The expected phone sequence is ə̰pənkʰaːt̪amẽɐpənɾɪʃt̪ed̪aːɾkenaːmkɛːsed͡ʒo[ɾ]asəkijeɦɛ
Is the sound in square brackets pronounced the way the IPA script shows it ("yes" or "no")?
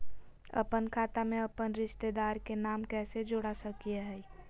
no